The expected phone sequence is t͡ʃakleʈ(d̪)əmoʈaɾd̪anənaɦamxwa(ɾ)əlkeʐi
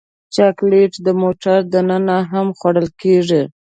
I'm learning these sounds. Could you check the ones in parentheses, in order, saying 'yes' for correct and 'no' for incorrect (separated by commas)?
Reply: yes, no